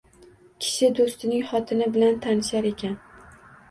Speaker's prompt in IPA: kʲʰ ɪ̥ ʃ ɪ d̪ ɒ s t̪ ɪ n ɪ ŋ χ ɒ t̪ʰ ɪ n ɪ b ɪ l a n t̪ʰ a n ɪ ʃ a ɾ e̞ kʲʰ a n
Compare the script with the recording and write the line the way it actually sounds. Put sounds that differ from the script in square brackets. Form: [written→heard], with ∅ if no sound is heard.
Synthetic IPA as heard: kʲʰ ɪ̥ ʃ ɪ d̪ [ɒ→o] s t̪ ɪ n ɪ ŋ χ ɒ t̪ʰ ɪ n ɪ b ɪ l a n t̪ʰ a n ɪ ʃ a ɾ e̞ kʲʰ a n